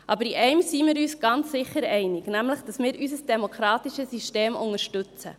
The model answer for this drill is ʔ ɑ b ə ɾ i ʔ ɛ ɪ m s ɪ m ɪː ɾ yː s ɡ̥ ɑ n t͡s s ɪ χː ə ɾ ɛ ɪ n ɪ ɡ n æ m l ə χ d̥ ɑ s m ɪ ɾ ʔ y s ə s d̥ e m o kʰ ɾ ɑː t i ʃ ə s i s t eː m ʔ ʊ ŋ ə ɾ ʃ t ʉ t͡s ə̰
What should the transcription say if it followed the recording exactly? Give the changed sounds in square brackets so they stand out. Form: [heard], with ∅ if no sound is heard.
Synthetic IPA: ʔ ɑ b ə ɾ i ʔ ɛ ɪ m s [i] m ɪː ɾ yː s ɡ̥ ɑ n t͡s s ɪ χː ə ɾ ɛ ɪ n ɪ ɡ n æ m l ə χ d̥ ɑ s m [ɪː] ɾ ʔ y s ə s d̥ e m o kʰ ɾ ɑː t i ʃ ə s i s t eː m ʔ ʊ ŋ ə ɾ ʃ t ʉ t͡s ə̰